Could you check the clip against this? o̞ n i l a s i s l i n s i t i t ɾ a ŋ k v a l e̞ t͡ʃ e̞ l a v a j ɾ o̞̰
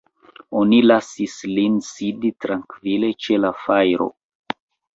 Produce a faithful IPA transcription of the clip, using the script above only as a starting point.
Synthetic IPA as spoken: o̞ n i l a s i s l i n s i d i t ɾ a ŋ k v i l e̞ t͡ʃ e̞ l a f a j ɾ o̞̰